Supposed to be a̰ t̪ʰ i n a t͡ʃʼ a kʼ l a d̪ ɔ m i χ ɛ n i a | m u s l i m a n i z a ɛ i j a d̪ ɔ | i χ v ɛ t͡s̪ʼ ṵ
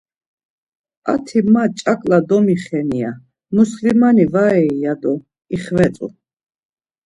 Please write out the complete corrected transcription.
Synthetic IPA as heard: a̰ t̪ʰ i m a t͡ʃʼ a kʼ l a d̪ ɔ m i χ ɛ n i a | m u s l i m a n i v a ɛ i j a d̪ ɔ | i χ v ɛ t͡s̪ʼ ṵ